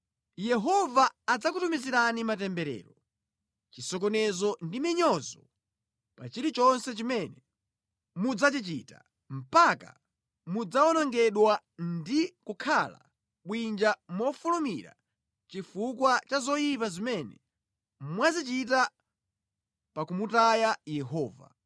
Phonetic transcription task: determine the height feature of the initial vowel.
mid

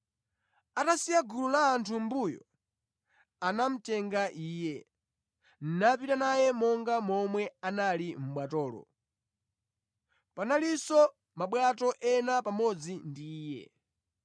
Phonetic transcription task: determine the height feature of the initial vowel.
low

